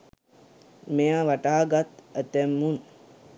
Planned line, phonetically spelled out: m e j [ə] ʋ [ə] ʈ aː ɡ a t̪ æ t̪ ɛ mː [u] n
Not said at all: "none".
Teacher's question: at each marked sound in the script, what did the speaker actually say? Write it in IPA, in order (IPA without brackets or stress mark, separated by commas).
a, a, u